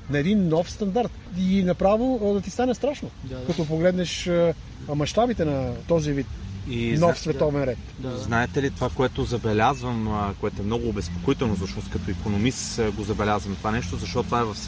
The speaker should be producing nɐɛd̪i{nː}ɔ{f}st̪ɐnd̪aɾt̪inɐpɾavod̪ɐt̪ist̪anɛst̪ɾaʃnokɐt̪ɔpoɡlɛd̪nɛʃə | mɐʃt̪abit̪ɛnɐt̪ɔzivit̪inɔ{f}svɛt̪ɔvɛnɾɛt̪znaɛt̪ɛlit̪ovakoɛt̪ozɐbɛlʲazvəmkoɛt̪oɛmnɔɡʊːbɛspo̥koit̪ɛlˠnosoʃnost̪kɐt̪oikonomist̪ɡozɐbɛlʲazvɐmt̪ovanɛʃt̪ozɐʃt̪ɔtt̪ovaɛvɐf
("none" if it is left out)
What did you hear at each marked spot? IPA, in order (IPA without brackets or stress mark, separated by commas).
nː, f, f